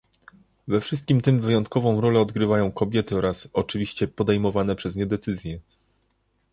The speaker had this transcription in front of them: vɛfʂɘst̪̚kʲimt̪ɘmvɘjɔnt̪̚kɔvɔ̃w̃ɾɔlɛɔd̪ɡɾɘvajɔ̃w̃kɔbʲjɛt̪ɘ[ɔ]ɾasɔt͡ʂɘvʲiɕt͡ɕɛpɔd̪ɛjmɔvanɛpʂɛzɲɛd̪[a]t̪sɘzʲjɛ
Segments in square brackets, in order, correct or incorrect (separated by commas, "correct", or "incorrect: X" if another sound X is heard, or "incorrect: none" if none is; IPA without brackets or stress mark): correct, incorrect: ɛ